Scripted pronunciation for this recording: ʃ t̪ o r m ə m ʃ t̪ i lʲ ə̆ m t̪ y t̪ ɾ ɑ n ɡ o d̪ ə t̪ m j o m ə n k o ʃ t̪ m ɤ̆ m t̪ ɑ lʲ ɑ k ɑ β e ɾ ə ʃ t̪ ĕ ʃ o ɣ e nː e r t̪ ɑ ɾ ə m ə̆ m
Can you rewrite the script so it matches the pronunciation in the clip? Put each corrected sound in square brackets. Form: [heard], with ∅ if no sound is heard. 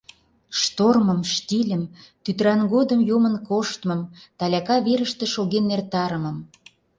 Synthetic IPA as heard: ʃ t̪ o r m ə m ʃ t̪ i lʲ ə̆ m t̪ y t̪ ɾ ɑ n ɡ o d̪ ə [∅] m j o m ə n k o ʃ t̪ m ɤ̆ m t̪ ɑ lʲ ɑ k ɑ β e ɾ ə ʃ t̪ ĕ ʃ o ɣ e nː e r t̪ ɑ ɾ ə m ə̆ m